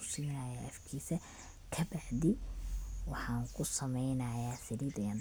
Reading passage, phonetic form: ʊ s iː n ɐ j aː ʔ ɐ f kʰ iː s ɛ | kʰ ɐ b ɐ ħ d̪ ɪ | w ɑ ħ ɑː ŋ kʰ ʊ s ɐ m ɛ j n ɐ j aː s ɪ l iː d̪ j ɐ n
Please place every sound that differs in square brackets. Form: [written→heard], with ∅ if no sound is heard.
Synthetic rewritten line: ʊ s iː n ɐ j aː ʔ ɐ f kʰ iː s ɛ | kʰ ɐ b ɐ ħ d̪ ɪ | w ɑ ħ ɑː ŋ kʰ ʊ s ɐ m ɛ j n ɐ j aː s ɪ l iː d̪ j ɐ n